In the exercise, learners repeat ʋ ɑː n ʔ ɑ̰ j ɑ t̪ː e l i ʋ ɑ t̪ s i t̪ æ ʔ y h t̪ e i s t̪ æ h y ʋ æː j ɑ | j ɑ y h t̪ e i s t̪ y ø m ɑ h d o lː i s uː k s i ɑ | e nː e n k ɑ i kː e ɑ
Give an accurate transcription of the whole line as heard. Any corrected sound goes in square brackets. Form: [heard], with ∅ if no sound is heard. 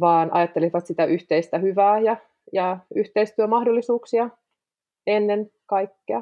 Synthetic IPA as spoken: ʋ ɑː n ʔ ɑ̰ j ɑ t̪ː e l i ʋ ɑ t̪ s i t̪ æ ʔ y h t̪ e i s t̪ æ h y ʋ æː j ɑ | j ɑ y h t̪ e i s t̪ y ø m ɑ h d o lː i s uː k s i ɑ | e nː e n k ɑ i kː e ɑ